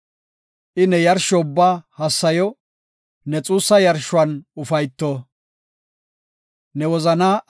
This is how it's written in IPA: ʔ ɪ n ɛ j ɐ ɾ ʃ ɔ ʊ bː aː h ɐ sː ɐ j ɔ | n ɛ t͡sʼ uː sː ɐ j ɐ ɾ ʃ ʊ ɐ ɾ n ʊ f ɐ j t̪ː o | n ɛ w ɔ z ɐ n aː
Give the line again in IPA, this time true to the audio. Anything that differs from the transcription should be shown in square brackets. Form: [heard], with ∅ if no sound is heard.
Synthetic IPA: ʔ ɪ n ɛ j ɐ ɾ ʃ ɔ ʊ bː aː h ɐ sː ɐ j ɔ | n ɛ t͡sʼ uː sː ɐ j ɐ ɾ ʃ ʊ ɐ [∅] n ʊ f ɐ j t̪ː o | n ɛ w ɔ z ɐ n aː